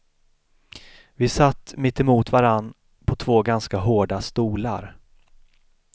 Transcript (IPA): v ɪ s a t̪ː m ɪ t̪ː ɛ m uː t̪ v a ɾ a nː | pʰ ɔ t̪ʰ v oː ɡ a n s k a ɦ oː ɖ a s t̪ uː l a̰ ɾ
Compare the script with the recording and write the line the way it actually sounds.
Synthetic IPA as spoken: v ɪ s a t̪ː m ɪ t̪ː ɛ m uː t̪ v a ɾ a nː | pʰ ɔ t̪ʰ v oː ɡ a n s k a ɦ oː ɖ a s t̪ uː l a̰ ɾ